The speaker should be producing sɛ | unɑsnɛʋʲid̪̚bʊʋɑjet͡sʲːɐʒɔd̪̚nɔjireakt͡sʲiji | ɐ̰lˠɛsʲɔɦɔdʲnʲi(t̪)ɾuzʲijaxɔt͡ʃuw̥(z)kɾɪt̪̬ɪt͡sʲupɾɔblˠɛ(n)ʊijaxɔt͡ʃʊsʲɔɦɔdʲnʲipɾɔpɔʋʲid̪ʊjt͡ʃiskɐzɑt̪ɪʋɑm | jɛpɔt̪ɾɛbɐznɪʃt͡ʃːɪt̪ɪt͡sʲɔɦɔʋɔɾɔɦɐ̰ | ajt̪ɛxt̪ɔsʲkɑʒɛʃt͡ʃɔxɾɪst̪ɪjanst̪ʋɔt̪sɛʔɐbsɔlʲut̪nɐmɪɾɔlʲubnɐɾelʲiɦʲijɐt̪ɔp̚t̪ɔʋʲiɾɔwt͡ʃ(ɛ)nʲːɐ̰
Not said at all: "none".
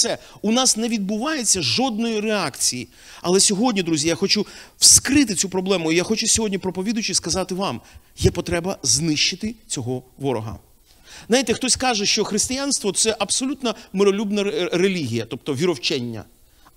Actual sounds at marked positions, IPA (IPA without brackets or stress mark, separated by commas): d̪, s, m, ɛ